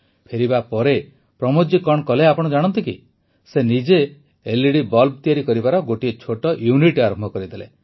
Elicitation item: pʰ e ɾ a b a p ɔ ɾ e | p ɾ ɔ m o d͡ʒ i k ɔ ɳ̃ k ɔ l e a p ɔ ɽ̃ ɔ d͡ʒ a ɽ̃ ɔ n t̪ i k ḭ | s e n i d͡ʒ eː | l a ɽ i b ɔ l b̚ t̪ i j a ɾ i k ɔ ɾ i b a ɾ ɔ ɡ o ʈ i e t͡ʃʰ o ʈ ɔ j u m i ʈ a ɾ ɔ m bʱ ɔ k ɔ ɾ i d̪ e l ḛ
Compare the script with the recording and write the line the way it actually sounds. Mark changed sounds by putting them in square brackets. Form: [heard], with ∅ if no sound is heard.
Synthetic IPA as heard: pʰ e ɾ [i] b a p ɔ ɾ e | p ɾ ɔ m o d͡ʒ i k ɔ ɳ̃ k ɔ l e a p ɔ ɽ̃ ɔ d͡ʒ a ɽ̃ ɔ n t̪ i k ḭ | s e n i d͡ʒ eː | l [i] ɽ i b ɔ l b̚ t̪ i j a ɾ i k ɔ ɾ i b a ɾ ɔ ɡ o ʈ i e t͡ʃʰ o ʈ ɔ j u [n] i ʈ a ɾ ɔ m bʱ ɔ k ɔ ɾ i d̪ e l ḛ